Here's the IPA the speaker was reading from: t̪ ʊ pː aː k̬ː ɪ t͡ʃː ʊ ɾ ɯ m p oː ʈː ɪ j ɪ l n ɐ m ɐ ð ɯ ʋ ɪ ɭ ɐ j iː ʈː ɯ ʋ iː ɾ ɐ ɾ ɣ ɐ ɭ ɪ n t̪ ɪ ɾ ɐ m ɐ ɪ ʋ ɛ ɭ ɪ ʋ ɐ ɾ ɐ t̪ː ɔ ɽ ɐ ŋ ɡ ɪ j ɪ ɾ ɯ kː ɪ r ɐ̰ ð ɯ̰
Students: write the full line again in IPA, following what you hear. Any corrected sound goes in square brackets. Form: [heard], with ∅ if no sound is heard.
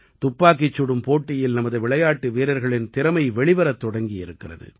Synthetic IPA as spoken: t̪ ʊ pː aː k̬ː ɪ t͡ʃː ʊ [ɽ] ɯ m p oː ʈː ɪ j ɪ l n ɐ m ɐ ð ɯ ʋ ɪ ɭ ɐ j [aː] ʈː ɯ ʋ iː ɾ ɐ ɾ ɣ ɐ ɭ ɪ n t̪ ɪ ɾ ɐ m ɐ ɪ ʋ ɛ ɭ ɪ ʋ ɐ ɾ ɐ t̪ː ɔ ɽ ɐ ŋ ɡ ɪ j ɪ ɾ ɯ kː ɪ r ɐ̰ ð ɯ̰

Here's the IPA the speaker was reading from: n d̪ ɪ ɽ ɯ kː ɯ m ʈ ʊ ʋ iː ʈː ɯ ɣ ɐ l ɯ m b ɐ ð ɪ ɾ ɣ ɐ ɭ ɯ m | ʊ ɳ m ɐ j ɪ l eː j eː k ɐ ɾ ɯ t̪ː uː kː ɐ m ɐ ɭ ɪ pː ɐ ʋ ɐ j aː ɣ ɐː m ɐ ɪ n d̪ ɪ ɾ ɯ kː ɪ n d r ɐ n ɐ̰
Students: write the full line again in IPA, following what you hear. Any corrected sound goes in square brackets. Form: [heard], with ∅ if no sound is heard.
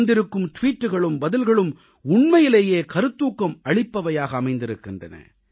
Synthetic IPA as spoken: n d̪ ɪ [ɾ] ɯ kː ɯ m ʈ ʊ ʋ iː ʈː ɯ ɣ ɐ [ɭ] ɯ m b ɐ ð ɪ [l] ɣ ɐ ɭ ɯ m | ʊ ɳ m ɐ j ɪ l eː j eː k ɐ ɾ ɯ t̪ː uː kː ɐ m ɐ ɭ ɪ pː ɐ ʋ ɐ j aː ɣ ɐː m ɐ ɪ n d̪ ɪ ɾ ɯ kː ɪ n d r ɐ n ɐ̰

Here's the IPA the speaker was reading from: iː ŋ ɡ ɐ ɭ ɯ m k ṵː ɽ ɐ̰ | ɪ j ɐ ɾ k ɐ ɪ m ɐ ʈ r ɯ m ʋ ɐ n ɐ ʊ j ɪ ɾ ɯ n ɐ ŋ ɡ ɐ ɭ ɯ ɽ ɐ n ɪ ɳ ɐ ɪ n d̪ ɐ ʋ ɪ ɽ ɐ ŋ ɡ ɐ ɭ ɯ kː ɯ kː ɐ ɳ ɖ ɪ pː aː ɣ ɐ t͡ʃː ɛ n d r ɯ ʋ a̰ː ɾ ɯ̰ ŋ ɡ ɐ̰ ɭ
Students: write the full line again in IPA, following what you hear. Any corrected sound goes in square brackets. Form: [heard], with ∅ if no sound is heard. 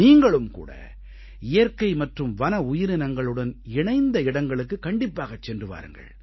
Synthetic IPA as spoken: iː ŋ ɡ ɐ ɭ ɯ m k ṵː ɽ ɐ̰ | ɪ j ɐ ɾ k ɐ ɪ m ɐ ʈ r ɯ m ʋ ɐ n ɐ ʊ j ɪ ɾ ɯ n ɐ ŋ ɡ ɐ ɭ ɯ ɽ ɐ n ɪ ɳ ɐ ɪ n d̪ ɐ [∅] ɪ ɽ ɐ ŋ ɡ ɐ ɭ ɯ kː ɯ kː ɐ ɳ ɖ ɪ pː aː ɣ ɐ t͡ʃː ɛ n d r ɯ ʋ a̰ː ɾ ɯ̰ ŋ ɡ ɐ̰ ɭ

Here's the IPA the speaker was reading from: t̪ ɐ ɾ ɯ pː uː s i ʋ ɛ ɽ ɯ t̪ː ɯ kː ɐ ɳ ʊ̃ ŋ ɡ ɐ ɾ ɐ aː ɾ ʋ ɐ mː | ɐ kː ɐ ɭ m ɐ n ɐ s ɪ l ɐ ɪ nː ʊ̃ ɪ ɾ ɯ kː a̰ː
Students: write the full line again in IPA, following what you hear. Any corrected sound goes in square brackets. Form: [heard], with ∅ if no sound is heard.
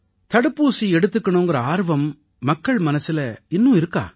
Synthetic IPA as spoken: t̪ ɐ [ɽ] ɯ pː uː s i [∅] ɛ ɽ ɯ t̪ː ɯ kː ɐ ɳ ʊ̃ ŋ ɡ ɐ ɾ ɐ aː ɾ ʋ ɐ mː | ɐ kː ɐ ɭ m ɐ n ɐ s ɪ l ɐ ɪ nː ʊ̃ ɪ ɾ ɯ kː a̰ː

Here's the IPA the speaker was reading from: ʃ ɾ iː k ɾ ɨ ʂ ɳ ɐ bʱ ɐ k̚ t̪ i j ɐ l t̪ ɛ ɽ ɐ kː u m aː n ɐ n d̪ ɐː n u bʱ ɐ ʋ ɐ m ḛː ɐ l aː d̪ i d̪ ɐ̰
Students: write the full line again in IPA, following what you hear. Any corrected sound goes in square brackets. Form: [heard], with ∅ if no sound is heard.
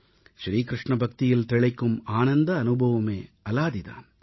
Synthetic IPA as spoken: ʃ ɾ iː k ɾ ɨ ʂ ɳ ɐ bʱ ɐ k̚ t̪ i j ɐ l t̪ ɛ [ɭ] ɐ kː u m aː n ɐ n d̪ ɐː n u bʱ ɐ ʋ ɐ m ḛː ɐ l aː d̪ i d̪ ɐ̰

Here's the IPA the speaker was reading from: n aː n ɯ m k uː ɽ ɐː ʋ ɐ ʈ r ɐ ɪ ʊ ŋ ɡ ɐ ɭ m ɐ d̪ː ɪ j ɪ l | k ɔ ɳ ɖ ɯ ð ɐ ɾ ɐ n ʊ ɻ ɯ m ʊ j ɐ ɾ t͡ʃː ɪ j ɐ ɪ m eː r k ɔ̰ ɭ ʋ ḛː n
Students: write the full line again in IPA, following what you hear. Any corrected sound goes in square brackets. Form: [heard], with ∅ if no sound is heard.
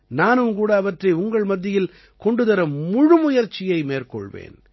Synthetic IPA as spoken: n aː n ɯ m k uː ɽ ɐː ʋ ɐ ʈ r ɐ ɪ ʊ ŋ ɡ ɐ ɭ m ɐ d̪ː ɪ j ɪ l | k ɔ ɳ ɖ ɯ ð ɐ ɾ ɐ [m] ʊ ɻ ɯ m ʊ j ɐ ɾ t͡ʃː ɪ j ɐ ɪ m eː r k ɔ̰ ɭ ʋ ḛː n

